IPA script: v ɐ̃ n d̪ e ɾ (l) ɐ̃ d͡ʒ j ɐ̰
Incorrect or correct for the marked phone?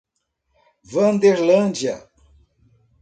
correct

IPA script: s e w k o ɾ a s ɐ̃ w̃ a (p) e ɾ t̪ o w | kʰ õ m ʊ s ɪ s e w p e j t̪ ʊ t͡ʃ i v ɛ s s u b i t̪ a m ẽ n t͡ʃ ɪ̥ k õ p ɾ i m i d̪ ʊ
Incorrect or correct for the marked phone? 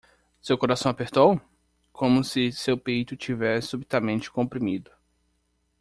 correct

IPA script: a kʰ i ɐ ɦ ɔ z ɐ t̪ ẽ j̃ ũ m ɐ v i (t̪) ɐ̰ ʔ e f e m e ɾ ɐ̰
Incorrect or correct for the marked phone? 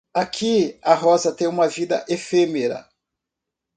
incorrect: d̪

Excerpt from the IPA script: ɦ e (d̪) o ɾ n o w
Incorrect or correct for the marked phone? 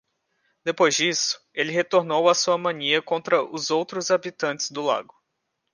incorrect: t̪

